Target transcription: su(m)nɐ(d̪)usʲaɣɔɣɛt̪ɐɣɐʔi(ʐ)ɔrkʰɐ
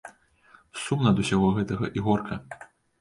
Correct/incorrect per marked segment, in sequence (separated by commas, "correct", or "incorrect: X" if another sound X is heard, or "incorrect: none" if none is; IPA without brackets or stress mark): correct, correct, incorrect: ɣ